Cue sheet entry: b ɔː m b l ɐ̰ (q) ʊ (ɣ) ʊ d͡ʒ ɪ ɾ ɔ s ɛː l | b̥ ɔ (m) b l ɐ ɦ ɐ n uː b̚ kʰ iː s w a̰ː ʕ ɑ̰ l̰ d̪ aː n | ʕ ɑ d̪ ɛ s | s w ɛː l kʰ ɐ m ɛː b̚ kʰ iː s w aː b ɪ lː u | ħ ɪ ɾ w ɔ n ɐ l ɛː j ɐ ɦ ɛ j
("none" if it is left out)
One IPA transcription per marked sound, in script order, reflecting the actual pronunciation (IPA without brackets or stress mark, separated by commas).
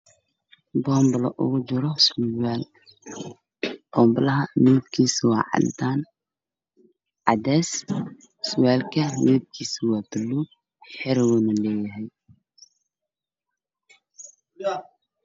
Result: ʔ, ɣ, m